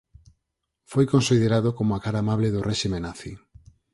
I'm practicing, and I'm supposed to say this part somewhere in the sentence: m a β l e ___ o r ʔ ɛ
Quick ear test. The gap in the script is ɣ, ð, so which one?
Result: ð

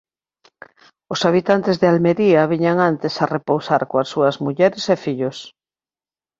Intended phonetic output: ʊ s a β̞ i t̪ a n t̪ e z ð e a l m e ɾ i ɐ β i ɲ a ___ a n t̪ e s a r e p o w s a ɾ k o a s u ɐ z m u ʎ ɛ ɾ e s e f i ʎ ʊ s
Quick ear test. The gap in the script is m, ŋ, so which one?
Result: ŋ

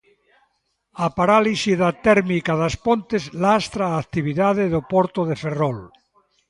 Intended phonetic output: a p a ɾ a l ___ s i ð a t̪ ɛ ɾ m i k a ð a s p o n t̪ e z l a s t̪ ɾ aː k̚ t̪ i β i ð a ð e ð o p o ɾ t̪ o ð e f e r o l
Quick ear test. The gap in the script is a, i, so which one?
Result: i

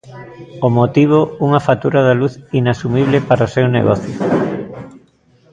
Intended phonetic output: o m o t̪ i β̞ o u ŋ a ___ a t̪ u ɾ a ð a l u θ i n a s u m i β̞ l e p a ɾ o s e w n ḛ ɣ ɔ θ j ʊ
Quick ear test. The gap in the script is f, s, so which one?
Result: f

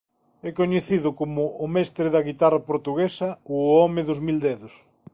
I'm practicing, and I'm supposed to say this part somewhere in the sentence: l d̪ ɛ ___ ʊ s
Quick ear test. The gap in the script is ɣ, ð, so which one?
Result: ð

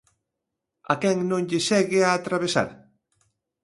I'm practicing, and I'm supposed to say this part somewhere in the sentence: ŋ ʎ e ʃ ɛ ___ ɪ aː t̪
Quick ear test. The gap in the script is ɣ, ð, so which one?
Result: ɣ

